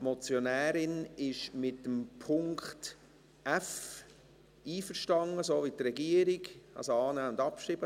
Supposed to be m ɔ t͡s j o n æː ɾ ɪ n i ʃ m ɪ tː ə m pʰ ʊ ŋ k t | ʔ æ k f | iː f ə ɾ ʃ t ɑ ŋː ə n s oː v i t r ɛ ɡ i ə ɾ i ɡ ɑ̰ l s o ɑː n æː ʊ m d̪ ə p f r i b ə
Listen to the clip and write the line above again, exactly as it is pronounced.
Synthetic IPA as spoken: m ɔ t͡s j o n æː ɾ ɪ n ɪ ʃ m ɪ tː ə m pʰ ʊ ŋ k t | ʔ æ f | iː f ə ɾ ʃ t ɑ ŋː ə s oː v i t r ɛ ɡ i ə ɾ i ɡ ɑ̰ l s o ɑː n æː ʊ n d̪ ɑ p ʃ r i b ə